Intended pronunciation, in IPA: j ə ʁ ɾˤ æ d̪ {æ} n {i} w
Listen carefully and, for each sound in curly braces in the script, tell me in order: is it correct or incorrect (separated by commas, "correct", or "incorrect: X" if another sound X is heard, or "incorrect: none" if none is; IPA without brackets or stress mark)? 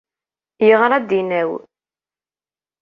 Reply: incorrect: i, incorrect: æ